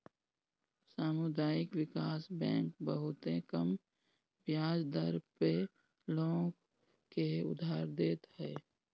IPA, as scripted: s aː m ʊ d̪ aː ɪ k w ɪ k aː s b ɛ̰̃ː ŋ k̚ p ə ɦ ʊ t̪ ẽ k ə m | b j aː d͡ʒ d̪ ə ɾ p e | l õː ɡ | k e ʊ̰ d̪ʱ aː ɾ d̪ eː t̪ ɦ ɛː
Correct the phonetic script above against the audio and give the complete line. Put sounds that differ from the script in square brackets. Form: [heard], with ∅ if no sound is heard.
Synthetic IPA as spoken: s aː m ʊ d̪ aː ɪ k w ɪ k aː s b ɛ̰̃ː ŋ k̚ [b] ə ɦ ʊ t̪ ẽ k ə m | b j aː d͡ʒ d̪ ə ɾ p e | l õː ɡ | k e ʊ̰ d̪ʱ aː ɾ d̪ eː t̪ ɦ ɛː